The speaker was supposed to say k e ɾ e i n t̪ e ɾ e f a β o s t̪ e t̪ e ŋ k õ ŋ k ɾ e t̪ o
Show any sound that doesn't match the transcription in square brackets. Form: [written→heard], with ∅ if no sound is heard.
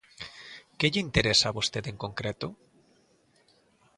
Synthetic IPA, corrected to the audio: k e [ɾ→ʎ] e i n t̪ e ɾ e [f→s] a β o s t̪ e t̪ e ŋ k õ ŋ k ɾ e t̪ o